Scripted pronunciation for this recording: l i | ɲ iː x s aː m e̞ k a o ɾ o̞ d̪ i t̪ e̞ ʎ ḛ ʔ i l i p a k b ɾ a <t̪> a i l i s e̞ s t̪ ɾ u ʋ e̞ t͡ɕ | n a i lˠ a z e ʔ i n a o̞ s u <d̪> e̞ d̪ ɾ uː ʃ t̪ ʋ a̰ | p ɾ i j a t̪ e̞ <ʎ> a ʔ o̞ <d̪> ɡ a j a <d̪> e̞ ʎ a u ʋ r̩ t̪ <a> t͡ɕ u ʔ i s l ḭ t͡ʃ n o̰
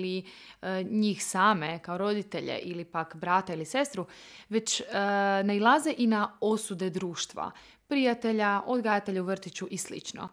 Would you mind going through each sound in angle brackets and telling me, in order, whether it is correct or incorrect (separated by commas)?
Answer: correct, correct, correct, correct, incorrect, incorrect